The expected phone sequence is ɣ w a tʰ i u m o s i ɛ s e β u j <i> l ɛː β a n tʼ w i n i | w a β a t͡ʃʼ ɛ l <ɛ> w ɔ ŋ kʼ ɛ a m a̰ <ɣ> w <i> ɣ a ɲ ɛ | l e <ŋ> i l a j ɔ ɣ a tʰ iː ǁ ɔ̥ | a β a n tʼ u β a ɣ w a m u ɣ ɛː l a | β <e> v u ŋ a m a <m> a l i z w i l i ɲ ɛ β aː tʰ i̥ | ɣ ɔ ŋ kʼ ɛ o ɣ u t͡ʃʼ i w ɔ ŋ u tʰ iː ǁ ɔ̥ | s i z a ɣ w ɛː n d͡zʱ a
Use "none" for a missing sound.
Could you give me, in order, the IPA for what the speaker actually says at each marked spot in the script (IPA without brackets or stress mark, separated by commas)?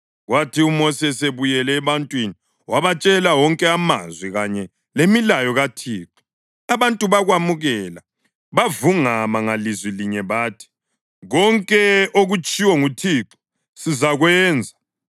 ɛ, a, z, i, m, a, ŋ